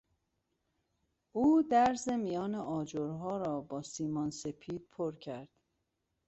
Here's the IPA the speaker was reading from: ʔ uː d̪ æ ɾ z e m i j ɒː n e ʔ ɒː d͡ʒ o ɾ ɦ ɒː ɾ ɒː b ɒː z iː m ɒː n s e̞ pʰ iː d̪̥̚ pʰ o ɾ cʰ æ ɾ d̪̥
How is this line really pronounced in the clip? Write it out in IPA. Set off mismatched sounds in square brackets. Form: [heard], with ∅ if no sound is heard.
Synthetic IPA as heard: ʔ uː d̪ æ ɾ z e m i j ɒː n e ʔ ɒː d͡ʒ o ɾ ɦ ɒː ɾ ɒː b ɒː [s] iː m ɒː n s e̞ pʰ iː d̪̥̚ pʰ o ɾ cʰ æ ɾ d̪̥